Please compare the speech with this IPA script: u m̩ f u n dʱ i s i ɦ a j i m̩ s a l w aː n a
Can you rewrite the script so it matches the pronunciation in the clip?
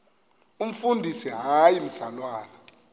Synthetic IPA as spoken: u m̩ f u n dʱ i s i ɦ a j i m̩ s a l w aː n a